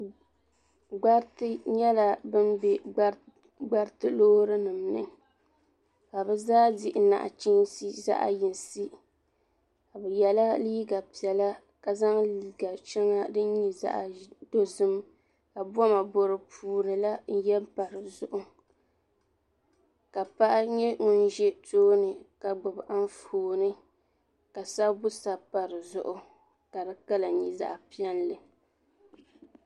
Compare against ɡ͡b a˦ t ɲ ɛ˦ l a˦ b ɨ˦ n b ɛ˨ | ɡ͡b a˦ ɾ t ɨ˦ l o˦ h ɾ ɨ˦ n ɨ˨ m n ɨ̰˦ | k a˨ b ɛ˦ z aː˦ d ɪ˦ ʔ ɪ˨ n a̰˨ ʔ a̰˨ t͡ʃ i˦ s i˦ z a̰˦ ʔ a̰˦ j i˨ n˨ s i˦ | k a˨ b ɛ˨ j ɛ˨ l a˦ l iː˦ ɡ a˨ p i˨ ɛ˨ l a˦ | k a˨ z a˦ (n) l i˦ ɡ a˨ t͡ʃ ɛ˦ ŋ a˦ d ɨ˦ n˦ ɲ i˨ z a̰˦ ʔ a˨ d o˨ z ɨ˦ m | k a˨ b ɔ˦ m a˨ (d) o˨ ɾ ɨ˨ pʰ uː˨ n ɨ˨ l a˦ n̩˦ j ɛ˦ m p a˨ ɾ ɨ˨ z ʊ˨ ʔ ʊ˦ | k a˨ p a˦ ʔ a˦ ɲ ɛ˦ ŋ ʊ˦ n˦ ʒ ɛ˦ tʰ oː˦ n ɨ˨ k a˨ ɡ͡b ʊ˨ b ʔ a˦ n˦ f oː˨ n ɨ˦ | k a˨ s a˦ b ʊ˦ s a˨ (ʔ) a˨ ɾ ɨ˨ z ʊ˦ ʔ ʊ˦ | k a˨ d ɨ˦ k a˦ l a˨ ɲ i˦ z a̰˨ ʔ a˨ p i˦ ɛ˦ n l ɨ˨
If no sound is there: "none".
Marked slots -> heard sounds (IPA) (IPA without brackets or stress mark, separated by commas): ŋ, b, p